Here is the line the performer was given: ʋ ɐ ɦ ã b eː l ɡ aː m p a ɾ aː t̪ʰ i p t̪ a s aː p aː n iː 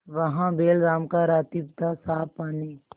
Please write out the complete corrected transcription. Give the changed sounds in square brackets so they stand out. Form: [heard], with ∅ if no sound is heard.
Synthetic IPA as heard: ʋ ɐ ɦ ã b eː l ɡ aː m [k] a ɾ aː [t̪] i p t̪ a s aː p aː n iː